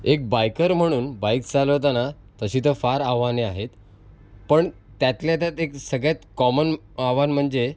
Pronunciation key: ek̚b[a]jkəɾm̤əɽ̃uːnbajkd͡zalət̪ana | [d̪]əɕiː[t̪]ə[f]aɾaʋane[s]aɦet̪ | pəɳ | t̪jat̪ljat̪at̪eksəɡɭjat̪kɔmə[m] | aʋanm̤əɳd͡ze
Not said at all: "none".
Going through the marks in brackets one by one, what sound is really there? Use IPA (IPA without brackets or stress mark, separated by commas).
a, t̪, t̪, f, none, n